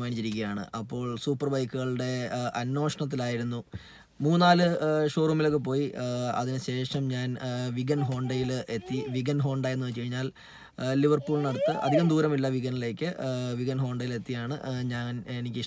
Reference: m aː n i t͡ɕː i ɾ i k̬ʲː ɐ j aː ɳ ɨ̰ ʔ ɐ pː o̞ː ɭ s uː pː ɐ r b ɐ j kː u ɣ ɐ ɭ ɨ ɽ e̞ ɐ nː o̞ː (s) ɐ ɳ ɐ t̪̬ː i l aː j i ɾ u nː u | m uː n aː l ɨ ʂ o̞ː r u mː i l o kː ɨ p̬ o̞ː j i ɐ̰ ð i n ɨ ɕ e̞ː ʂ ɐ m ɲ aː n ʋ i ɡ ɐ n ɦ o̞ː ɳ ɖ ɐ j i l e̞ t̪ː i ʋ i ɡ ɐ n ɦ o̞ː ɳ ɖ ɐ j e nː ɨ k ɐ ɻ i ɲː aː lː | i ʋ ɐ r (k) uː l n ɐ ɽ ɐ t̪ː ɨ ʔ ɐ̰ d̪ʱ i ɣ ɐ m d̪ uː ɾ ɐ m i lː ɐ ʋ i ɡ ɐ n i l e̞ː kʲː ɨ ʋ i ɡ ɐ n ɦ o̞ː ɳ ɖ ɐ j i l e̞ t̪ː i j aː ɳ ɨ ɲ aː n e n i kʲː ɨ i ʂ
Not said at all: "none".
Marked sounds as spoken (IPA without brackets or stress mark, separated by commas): ʂ, p